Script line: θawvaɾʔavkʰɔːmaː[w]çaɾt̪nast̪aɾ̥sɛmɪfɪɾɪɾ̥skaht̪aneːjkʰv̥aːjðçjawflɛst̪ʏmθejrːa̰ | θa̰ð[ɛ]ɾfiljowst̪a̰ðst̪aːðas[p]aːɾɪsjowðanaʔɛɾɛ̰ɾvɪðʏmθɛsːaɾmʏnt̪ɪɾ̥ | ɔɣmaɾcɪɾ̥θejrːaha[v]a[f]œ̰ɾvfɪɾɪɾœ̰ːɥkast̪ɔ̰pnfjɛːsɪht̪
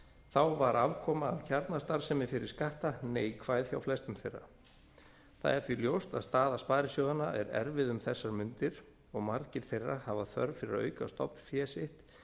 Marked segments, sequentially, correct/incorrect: incorrect, correct, correct, correct, incorrect

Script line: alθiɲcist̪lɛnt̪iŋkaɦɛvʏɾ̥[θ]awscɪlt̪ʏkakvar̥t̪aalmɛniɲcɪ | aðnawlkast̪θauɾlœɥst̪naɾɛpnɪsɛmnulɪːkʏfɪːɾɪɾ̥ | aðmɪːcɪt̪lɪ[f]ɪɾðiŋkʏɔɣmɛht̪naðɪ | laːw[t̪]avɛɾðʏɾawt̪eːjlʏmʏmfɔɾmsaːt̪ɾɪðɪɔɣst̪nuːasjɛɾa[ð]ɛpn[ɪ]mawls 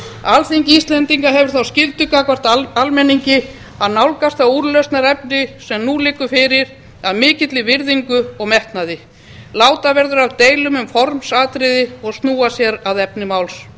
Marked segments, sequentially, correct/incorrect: correct, incorrect, correct, correct, correct

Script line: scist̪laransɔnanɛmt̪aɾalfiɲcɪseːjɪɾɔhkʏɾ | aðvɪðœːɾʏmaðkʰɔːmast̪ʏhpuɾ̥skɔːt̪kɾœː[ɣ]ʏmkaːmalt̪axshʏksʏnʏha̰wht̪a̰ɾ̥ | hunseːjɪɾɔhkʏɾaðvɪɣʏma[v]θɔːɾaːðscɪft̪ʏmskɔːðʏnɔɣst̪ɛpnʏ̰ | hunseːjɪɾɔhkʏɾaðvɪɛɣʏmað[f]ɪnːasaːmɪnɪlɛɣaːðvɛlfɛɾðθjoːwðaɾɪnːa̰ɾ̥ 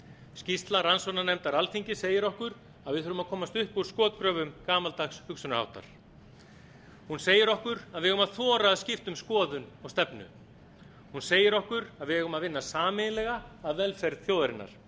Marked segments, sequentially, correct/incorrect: incorrect, incorrect, incorrect

